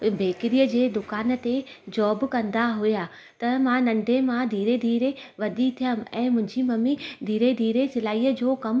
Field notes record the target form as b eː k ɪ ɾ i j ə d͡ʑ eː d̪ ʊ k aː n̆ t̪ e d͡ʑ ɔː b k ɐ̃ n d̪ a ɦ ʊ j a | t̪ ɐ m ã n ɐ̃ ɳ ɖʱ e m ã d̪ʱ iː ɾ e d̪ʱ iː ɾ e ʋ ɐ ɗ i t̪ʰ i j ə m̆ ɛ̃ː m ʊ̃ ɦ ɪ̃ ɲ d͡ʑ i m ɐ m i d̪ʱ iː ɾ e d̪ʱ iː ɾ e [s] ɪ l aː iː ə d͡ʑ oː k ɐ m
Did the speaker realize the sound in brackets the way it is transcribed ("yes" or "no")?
yes